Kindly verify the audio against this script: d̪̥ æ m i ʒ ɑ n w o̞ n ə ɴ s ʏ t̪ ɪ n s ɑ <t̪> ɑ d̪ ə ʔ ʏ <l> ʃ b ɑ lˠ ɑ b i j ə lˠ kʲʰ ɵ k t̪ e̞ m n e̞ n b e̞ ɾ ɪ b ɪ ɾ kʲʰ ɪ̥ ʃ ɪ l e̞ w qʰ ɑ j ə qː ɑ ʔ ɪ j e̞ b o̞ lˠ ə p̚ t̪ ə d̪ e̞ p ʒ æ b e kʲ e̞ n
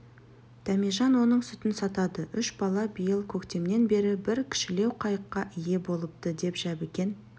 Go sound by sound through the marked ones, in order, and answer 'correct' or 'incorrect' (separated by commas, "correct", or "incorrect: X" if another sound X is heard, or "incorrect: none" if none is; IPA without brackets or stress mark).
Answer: correct, incorrect: none